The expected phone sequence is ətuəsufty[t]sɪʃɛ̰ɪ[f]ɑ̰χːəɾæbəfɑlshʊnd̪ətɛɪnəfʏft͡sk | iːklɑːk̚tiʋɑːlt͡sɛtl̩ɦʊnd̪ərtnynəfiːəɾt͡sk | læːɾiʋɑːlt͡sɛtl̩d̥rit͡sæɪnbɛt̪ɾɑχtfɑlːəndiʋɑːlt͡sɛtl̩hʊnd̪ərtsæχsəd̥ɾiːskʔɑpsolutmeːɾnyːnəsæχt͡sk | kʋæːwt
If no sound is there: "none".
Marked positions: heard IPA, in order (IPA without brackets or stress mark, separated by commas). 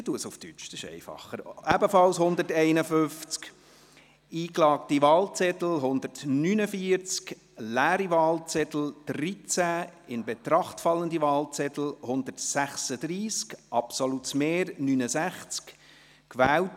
t͡ʃ, f